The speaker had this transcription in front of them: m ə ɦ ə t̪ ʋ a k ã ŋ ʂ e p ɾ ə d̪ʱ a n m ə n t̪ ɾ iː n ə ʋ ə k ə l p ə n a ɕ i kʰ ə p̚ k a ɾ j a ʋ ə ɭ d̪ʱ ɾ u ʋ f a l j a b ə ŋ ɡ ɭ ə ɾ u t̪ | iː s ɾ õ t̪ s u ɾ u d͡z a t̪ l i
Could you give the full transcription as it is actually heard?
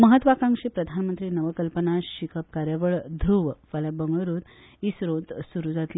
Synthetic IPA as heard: m ə ɦ ə t̪ ʋ a k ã ŋ ʂ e p ɾ ə d̪ʱ a n m ə n t̪ ɾ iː n ə ʋ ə k ə l p ə n a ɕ i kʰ ə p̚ k a ɾ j a ʋ ə ɭ d̪ʱ ɾ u ʋ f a l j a b ə ŋ ɡ ɭ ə ɾ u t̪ | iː s ɾ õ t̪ s u ɾ u d͡z a t̪ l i